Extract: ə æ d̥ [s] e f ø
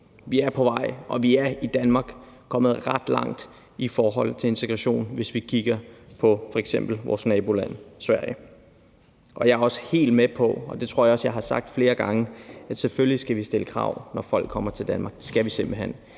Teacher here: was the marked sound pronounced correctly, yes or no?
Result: yes